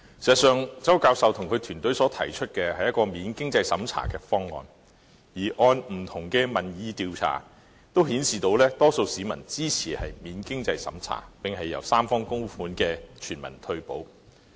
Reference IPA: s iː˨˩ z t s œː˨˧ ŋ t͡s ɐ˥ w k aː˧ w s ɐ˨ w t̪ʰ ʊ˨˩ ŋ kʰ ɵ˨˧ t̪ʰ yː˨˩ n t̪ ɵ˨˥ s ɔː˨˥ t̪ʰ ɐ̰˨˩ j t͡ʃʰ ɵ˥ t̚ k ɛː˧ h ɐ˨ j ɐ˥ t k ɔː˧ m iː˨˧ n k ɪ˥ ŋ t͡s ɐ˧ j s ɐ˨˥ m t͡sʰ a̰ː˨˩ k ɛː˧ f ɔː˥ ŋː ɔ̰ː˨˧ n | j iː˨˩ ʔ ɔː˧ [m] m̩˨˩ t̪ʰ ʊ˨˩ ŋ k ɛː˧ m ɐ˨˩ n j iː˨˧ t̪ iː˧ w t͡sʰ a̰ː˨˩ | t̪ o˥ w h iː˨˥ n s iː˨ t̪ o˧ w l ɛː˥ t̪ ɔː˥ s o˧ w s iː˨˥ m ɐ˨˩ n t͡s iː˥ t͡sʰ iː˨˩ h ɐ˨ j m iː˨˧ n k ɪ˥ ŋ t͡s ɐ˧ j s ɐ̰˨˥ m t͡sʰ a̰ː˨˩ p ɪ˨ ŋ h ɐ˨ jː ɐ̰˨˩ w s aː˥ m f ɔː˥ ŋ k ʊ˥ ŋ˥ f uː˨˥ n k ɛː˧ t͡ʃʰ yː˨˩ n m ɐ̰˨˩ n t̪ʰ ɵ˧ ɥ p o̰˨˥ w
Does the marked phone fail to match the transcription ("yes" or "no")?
yes